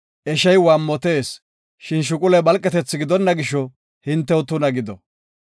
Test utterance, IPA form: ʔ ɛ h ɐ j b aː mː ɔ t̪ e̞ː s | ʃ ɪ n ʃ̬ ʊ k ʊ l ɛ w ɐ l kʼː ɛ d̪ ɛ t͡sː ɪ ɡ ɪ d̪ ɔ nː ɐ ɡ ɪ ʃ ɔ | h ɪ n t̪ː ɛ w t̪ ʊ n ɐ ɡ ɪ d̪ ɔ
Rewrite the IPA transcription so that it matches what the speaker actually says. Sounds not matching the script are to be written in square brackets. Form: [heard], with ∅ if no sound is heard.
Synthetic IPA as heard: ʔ ɛ [ʃ] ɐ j [w] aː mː ɔ t̪ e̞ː s | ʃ ɪ n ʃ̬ ʊ [kʼ] ʊ l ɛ [b] ɐ l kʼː ɛ [t̪] ɛ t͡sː ɪ ɡ ɪ d̪ ɔ nː ɐ ɡ ɪ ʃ ɔ | h ɪ n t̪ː ɛ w t̪ ʊ n ɐ ɡ ɪ d̪ ɔ